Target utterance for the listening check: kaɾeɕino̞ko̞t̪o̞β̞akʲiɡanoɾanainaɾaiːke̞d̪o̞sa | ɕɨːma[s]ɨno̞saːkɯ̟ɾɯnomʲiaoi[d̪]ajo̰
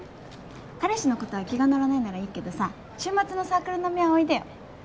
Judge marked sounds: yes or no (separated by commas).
no, yes